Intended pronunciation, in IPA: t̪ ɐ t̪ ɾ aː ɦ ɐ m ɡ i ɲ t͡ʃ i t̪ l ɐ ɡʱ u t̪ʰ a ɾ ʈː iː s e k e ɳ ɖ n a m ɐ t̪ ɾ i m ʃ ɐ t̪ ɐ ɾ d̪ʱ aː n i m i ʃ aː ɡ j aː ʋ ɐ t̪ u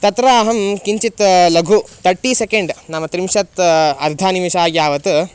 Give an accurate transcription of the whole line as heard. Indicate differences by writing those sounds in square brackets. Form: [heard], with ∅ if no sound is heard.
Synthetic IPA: t̪ ɐ t̪ ɾ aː ɦ ɐ m [k] i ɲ t͡ʃ i t̪ l ɐ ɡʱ u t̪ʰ [ɐ] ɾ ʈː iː s e k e ɳ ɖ n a m ɐ t̪ ɾ i m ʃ ɐ t̪ ɐ ɾ d̪ʱ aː n i m i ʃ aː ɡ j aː ʋ ɐ t̪ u